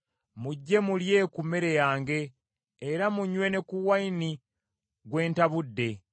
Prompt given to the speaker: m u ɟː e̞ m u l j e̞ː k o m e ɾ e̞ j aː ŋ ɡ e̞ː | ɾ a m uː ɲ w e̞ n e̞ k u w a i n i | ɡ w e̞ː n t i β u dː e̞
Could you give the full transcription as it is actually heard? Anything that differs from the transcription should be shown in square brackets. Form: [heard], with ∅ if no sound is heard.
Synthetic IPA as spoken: m u ɟː e̞ m u l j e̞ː k [u] m e ɾ e̞ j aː ŋ ɡ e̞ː | ɾ a m [u] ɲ w e̞ n e̞ k u w a i n i | ɡ w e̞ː n t [a] β u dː e̞